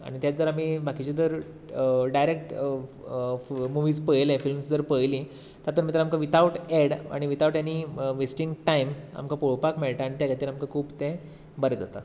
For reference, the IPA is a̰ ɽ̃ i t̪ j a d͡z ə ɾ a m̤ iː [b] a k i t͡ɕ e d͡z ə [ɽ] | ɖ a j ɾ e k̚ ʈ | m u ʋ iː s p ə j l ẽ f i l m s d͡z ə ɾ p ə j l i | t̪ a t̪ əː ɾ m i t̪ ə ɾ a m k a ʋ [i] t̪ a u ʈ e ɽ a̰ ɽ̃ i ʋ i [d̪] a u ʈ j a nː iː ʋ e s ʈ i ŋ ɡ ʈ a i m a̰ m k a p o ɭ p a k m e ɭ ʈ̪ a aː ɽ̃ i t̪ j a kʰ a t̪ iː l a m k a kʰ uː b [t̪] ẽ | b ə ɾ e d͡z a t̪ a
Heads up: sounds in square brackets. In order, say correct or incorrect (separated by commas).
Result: correct, incorrect, correct, incorrect, correct